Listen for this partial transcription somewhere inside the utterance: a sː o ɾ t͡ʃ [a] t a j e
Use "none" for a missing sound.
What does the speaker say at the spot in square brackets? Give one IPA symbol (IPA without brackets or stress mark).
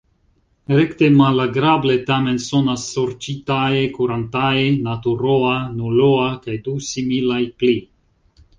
i